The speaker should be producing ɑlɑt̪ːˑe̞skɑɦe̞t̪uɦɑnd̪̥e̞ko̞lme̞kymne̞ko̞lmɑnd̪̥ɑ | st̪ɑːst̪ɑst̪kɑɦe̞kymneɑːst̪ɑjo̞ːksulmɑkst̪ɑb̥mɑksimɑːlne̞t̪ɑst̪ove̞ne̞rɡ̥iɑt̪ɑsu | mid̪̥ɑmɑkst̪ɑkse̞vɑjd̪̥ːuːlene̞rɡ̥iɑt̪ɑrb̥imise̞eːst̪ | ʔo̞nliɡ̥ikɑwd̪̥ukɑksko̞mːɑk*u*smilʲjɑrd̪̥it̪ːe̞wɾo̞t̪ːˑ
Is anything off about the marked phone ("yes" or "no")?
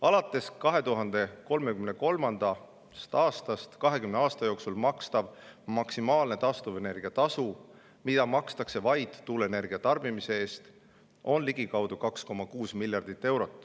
yes